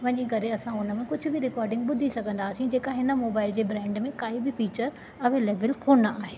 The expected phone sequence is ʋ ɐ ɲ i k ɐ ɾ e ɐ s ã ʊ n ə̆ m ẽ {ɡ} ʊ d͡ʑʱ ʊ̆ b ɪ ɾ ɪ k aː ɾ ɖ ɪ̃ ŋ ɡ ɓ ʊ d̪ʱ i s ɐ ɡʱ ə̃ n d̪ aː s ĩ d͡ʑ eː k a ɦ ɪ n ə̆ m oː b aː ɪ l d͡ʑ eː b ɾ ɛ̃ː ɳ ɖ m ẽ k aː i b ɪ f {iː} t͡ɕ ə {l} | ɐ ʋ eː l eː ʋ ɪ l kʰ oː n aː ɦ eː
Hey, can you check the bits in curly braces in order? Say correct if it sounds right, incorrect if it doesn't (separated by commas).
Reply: incorrect, correct, incorrect